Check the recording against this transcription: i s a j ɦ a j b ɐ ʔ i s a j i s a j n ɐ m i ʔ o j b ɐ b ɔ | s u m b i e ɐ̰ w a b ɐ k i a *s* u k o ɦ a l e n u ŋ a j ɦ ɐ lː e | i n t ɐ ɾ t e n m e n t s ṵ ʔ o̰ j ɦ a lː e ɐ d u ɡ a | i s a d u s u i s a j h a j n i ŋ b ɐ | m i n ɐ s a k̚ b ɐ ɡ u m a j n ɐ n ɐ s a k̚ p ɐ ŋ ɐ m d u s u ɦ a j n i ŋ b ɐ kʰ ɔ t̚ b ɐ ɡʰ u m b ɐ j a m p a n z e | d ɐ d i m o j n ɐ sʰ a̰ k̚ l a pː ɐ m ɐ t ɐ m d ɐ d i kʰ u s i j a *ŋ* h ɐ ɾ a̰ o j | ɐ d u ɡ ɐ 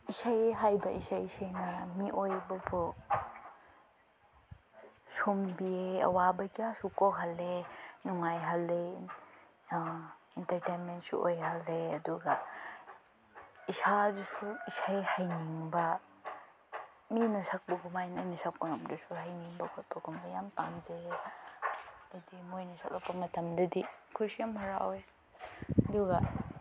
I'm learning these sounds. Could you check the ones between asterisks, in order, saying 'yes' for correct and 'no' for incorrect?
yes, no

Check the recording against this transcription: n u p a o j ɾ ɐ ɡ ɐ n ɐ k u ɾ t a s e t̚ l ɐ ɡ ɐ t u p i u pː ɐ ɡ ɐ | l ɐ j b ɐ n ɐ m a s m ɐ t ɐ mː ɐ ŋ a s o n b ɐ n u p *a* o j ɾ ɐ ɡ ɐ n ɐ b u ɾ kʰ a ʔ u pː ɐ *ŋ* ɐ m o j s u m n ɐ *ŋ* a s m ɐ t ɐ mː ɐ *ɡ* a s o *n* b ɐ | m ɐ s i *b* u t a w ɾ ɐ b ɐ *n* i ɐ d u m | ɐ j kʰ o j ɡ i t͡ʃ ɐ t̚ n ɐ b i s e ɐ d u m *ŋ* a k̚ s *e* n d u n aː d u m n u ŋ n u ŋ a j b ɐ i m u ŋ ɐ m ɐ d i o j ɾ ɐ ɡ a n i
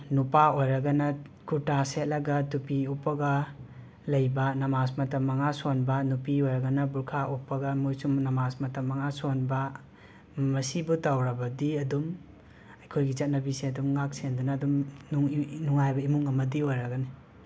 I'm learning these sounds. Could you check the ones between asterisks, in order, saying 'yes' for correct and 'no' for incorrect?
no, no, no, no, yes, yes, no, yes, yes

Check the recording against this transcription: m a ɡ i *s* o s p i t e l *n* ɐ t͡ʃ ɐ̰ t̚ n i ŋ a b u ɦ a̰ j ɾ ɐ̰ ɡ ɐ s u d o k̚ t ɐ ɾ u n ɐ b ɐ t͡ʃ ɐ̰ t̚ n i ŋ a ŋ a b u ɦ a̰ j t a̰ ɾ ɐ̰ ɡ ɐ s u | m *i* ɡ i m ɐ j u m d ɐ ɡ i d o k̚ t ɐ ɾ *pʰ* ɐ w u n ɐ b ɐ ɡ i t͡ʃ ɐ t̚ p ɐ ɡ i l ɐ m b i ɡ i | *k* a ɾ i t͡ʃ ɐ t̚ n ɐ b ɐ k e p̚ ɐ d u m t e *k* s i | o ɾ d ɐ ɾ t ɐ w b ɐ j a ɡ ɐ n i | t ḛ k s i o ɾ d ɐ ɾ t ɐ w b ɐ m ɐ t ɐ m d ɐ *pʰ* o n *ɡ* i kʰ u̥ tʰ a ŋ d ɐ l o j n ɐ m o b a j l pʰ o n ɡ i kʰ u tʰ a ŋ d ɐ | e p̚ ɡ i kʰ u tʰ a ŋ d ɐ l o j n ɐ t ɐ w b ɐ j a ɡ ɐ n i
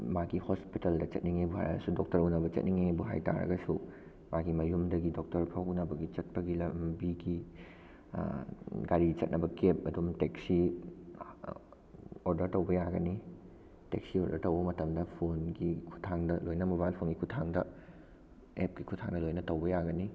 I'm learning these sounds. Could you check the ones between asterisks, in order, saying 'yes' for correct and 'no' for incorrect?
no, no, no, yes, no, yes, yes, yes

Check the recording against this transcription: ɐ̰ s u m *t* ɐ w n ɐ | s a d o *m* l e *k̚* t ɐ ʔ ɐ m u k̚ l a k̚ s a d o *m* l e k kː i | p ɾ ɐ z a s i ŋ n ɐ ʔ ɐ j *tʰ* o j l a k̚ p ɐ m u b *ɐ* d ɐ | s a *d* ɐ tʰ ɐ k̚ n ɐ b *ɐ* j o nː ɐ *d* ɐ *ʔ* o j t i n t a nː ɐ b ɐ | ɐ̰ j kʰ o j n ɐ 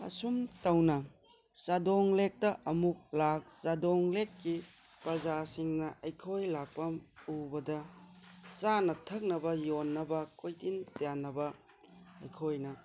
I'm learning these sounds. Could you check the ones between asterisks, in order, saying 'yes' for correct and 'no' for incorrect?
yes, no, yes, no, no, yes, no, yes, no, no

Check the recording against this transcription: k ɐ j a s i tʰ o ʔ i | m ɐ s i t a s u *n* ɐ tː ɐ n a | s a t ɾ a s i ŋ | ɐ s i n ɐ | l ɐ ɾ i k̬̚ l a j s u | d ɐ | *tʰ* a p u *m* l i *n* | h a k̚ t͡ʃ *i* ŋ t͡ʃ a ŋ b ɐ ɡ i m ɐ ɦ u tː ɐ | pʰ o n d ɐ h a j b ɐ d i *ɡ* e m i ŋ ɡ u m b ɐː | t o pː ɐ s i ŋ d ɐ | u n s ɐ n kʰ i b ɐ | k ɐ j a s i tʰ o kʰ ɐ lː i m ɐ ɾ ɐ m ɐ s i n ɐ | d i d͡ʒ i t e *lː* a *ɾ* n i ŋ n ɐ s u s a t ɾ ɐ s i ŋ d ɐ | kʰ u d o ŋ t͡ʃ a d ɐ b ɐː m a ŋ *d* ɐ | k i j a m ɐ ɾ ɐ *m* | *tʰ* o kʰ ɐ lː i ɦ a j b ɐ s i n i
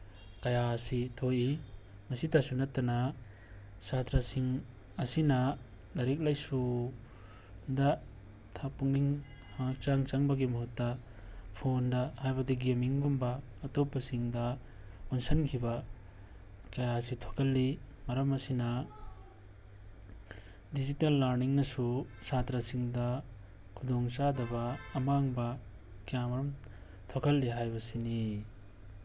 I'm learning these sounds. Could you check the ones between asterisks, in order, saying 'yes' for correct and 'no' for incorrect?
yes, yes, no, no, no, yes, yes, yes, no, yes, yes

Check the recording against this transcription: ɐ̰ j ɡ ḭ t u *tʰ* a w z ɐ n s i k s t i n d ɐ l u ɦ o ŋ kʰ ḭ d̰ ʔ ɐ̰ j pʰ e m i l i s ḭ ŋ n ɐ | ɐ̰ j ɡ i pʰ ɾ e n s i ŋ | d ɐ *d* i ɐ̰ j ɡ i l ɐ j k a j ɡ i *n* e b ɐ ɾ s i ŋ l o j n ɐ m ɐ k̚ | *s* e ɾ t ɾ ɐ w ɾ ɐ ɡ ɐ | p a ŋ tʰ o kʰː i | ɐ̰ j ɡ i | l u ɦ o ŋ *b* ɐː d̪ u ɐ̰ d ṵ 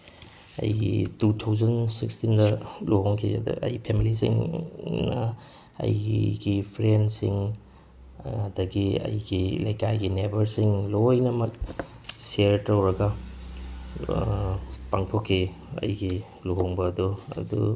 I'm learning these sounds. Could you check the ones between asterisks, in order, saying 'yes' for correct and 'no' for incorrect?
yes, no, yes, yes, yes

